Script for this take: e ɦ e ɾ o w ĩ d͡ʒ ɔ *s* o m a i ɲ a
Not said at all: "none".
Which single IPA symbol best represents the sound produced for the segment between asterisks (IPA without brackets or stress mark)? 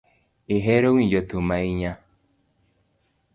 t